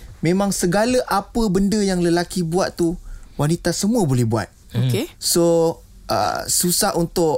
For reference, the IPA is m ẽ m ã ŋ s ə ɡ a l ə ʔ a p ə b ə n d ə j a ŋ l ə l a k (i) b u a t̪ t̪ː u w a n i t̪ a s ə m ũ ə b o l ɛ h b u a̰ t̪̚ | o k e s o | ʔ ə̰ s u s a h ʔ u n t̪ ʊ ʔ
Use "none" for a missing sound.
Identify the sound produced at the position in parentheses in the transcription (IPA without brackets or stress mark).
i